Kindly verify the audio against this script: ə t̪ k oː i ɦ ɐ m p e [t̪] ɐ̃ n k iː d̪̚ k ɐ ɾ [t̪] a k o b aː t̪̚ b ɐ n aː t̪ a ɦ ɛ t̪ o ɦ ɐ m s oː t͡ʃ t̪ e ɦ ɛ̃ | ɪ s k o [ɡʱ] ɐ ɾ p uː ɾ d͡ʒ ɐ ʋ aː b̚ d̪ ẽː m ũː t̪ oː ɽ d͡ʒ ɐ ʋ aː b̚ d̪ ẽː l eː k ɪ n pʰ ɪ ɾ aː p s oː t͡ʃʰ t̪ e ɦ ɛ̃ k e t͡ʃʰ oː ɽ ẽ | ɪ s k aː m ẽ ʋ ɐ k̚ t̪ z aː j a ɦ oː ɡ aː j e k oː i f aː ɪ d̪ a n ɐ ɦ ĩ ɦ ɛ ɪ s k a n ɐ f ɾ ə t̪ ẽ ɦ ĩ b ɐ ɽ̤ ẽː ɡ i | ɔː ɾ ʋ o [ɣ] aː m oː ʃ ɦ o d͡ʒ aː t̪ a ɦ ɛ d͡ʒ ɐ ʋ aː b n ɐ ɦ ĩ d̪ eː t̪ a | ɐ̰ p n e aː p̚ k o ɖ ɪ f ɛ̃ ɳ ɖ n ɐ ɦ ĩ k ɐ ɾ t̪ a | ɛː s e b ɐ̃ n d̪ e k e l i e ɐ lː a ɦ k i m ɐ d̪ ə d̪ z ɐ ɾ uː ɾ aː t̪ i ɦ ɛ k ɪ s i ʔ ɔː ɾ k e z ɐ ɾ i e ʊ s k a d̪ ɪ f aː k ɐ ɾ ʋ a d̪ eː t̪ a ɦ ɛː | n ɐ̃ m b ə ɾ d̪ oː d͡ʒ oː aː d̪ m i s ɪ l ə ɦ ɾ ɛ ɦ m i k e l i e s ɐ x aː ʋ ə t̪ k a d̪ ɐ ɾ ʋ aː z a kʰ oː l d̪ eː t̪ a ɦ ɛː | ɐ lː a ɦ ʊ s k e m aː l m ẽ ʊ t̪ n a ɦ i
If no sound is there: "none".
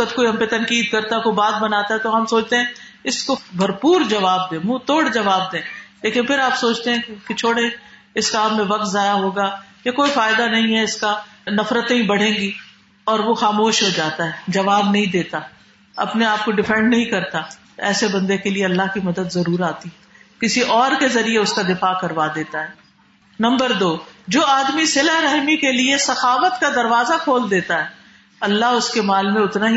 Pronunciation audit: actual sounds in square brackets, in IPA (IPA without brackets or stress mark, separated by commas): t̪, t̪, bʱ, x